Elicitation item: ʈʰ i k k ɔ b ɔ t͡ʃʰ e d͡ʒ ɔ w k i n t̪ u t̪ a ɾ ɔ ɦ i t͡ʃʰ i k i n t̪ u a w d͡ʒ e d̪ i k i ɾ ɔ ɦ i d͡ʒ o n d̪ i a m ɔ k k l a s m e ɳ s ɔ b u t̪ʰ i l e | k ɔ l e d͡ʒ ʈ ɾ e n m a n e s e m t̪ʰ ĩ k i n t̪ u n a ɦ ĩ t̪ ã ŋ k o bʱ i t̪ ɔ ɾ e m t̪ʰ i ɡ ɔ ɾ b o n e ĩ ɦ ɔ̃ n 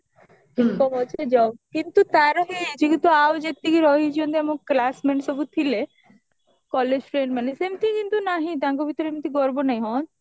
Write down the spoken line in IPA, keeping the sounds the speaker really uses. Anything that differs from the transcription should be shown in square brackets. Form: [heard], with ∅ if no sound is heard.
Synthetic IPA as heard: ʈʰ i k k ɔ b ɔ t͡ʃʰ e d͡ʒ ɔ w k i n t̪ u t̪ a ɾ ɔ ɦ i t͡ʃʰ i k i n t̪ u a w d͡ʒ e [t̪] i k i ɾ ɔ ɦ i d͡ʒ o n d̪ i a m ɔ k k l a s m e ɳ s ɔ b u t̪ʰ i l e | k ɔ l e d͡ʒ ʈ ɾ e n m a n e s e m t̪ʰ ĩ k i n t̪ u n a ɦ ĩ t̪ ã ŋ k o bʱ i t̪ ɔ ɾ e m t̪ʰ i ɡ ɔ ɾ b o n [a] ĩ ɦ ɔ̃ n